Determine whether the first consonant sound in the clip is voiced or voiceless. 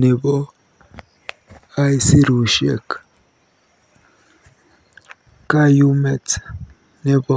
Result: voiced